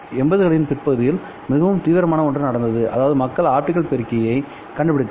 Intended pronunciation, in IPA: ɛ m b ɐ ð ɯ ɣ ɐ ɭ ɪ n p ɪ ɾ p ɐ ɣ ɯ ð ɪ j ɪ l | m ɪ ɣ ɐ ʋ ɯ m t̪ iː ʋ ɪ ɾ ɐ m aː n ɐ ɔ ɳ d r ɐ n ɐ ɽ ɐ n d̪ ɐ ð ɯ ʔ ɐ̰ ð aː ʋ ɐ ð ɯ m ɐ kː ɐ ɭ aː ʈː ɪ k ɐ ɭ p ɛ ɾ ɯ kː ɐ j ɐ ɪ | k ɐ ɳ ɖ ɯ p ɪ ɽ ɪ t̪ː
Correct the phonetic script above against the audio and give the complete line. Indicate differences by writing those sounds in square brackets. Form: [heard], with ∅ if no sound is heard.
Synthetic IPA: ɛ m b ɐ ð ɯ ɣ ɐ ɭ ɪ n p ɪ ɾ p ɐ ɣ ɯ ð ɪ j ɪ l | m ɪ ɣ ɐ ʋ ɯ m t̪ iː ʋ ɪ ɾ ɐ m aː n ɐ ɔ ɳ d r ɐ n ɐ ɽ ɐ n d̪ ɐ ð ɯ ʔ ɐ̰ ð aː ʋ ɐ ð ɯ m ɐ kː ɐ ɭ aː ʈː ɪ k ɐ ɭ p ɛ ɾ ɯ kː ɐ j ɐ ɪ | k ɐ ɳ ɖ ɯ p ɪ ɽ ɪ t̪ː